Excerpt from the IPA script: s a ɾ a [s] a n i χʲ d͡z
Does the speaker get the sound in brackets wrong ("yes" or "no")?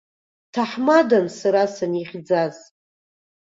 no